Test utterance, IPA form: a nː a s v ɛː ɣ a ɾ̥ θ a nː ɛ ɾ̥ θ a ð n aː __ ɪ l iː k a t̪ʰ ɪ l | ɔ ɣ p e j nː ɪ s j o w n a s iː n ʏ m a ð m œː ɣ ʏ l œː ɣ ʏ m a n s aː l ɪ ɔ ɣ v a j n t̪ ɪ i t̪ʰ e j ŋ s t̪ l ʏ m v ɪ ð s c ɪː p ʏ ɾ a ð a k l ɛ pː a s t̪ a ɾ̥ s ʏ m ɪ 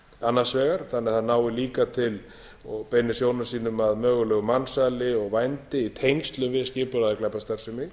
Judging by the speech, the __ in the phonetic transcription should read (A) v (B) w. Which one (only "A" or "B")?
B